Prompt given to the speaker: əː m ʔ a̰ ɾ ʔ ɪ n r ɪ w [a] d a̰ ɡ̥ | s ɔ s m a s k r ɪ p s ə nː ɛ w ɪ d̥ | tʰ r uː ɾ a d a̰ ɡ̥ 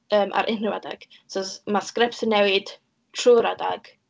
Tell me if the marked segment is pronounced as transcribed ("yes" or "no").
yes